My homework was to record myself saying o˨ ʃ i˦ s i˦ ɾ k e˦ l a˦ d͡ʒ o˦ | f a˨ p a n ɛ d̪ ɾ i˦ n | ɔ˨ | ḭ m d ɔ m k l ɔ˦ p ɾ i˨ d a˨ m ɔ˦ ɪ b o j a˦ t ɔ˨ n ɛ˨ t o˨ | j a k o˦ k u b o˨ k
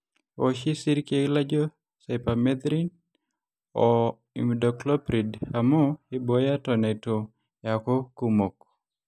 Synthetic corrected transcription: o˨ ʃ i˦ s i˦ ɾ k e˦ l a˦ d͡ʒ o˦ | s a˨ p a m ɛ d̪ ɾ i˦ n | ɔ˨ | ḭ m d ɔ k l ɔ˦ p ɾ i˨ d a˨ m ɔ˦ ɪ b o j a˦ t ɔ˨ n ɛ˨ t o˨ | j a k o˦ k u m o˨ k